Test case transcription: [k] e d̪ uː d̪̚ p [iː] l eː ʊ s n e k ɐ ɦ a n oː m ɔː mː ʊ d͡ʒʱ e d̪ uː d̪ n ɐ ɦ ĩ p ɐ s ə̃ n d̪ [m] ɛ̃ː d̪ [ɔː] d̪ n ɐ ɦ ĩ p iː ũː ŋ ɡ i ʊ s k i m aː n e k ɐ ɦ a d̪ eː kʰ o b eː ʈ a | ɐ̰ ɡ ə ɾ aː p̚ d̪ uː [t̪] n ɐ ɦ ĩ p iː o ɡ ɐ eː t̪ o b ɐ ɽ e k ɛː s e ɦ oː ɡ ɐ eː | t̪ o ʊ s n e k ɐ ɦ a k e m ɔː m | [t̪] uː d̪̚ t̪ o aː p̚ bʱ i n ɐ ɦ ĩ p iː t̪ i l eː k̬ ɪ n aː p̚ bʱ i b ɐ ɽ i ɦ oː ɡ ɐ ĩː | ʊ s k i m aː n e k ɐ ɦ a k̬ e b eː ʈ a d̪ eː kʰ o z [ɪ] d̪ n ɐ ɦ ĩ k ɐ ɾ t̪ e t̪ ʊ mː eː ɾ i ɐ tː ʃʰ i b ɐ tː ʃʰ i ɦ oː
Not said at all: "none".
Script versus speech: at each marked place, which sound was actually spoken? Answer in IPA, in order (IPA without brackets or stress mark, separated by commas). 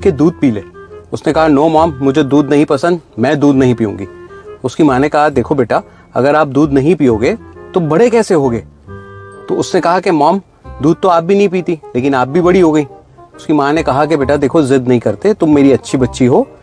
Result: k, iː, m, uː, d̪, d̪, ɪ